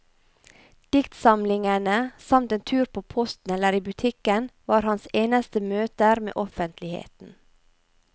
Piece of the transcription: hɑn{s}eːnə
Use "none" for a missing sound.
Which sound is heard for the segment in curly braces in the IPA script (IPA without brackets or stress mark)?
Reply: s